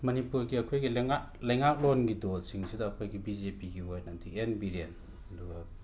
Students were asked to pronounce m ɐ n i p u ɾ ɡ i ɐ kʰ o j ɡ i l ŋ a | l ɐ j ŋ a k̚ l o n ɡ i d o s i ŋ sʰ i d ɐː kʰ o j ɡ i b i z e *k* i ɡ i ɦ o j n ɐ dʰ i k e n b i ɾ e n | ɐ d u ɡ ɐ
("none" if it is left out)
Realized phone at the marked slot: p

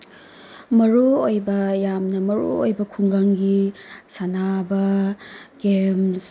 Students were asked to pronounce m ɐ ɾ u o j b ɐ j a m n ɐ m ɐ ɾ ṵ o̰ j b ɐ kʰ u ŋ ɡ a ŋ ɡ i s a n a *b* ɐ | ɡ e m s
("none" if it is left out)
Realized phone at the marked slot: b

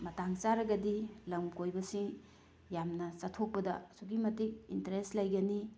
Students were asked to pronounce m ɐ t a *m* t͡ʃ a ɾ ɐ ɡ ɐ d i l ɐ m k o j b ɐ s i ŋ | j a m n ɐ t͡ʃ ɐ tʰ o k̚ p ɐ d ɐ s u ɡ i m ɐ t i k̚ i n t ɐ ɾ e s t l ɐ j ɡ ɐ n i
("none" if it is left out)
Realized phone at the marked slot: ŋ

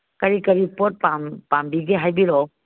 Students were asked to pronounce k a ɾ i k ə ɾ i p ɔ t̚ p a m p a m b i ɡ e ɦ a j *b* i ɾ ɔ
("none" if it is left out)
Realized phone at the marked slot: b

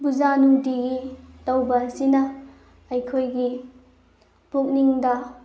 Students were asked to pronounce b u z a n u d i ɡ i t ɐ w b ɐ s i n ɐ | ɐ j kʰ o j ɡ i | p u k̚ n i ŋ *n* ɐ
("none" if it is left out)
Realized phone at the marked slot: d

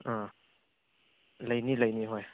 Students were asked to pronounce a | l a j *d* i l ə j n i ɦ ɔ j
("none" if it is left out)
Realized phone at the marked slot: n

